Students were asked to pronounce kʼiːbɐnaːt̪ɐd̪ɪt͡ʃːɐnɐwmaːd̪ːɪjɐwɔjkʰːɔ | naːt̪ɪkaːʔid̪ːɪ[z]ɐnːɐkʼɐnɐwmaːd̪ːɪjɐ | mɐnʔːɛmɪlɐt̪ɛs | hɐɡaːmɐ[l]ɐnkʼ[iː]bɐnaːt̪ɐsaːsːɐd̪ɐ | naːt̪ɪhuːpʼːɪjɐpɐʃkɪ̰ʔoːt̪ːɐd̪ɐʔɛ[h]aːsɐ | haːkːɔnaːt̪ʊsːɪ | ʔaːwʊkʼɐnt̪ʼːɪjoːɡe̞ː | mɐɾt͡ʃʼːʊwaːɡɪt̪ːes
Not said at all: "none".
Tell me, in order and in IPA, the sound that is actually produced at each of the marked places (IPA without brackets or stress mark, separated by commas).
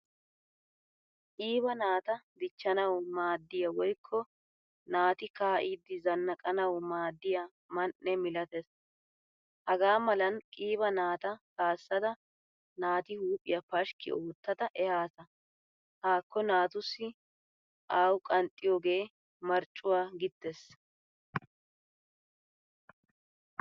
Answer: z, l, iː, h